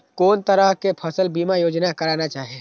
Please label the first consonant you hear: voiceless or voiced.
voiceless